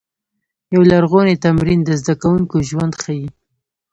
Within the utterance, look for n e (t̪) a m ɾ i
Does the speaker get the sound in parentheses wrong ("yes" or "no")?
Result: no